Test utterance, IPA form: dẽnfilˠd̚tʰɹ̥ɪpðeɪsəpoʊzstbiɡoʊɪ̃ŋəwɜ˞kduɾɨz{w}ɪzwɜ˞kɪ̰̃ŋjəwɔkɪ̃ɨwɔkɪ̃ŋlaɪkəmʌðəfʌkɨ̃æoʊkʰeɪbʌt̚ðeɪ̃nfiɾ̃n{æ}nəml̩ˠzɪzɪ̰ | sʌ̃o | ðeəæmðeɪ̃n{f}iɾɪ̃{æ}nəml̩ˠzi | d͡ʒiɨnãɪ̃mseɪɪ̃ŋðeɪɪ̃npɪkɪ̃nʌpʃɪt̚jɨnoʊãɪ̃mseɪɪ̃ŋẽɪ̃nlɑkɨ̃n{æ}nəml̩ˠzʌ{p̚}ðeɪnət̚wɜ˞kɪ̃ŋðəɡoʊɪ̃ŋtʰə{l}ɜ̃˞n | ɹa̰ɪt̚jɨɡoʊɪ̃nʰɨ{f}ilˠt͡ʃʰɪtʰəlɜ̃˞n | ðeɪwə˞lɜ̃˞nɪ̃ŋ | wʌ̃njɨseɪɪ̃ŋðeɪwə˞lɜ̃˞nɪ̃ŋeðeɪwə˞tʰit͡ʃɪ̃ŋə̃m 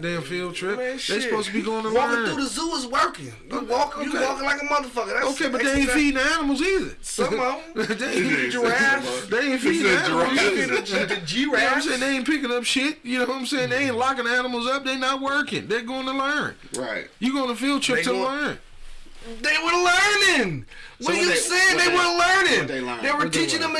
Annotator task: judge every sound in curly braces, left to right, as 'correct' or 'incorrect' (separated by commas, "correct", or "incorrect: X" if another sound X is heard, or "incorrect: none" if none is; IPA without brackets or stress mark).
incorrect: u, correct, correct, correct, correct, correct, correct, correct